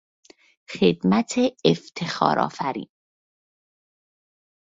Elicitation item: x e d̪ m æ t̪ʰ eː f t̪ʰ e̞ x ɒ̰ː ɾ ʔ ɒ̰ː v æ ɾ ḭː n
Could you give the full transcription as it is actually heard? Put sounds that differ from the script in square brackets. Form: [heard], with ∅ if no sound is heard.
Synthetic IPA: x e d̪ m æ t̪ʰ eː f t̪ʰ e̞ x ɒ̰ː ɾ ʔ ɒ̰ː [f] æ ɾ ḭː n